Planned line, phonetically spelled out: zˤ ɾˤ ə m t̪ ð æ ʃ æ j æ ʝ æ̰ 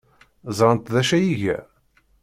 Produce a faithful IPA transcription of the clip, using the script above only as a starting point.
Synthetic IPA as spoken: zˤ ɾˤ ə n t̪ ð æ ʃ æ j i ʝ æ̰